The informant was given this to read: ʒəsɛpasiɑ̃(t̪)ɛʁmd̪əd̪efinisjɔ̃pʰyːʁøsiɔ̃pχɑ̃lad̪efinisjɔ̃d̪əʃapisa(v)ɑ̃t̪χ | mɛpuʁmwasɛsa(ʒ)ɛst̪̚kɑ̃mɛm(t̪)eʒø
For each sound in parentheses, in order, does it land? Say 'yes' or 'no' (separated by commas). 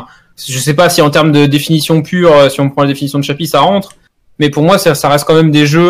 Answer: yes, no, no, no